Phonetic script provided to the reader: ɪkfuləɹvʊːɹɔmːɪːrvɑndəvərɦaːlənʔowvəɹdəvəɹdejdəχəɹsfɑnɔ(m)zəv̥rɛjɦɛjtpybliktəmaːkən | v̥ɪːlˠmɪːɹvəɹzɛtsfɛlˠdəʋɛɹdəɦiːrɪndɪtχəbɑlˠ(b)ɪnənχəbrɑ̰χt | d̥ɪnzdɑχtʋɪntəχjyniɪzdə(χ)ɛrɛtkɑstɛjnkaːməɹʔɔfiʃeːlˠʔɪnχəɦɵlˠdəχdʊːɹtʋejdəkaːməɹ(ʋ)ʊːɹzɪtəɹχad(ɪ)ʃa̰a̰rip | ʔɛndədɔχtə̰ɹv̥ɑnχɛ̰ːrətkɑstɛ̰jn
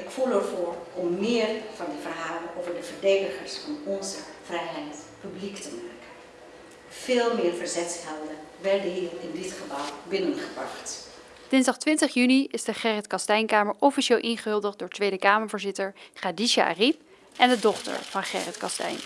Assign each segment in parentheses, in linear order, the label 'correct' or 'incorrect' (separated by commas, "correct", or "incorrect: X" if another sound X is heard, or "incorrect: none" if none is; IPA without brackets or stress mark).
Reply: incorrect: n, correct, correct, incorrect: v, incorrect: i